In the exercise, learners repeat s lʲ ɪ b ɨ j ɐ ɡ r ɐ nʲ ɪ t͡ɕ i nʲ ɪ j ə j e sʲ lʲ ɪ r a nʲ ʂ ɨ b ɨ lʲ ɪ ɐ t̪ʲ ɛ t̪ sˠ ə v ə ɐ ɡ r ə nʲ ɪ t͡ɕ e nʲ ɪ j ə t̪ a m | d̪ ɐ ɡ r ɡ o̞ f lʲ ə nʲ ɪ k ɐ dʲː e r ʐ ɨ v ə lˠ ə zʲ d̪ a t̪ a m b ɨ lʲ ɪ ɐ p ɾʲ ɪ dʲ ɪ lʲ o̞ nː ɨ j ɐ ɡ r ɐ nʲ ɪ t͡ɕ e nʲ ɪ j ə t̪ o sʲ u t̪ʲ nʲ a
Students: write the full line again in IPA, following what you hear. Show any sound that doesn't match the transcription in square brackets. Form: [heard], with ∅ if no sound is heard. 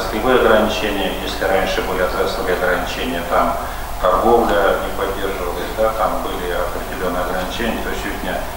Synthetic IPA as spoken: s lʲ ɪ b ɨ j ɐ ɡ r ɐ nʲ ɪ t͡ɕ [e] nʲ ɪ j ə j e sʲ lʲ ɪ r a nʲ ʂ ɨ b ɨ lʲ ɪ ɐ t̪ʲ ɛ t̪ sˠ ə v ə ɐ ɡ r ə nʲ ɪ t͡ɕ e nʲ ɪ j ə t̪ a m | [t̪] ɐ [∅] r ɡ o̞ [v] lʲ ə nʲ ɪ [p] ɐ dʲː e r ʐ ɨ v ə lˠ ə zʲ d̪ a t̪ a m b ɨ lʲ ɪ ɐ p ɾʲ ɪ dʲ ɪ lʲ o̞ nː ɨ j ɐ ɡ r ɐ nʲ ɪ t͡ɕ e nʲ ɪ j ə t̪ o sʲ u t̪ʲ nʲ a